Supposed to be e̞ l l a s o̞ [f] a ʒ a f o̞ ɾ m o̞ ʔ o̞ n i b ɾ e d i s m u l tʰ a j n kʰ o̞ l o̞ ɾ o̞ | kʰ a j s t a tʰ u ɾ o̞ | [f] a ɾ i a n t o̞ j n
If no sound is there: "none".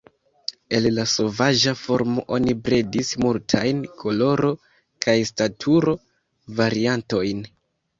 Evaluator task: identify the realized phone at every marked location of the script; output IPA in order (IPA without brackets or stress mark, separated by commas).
v, v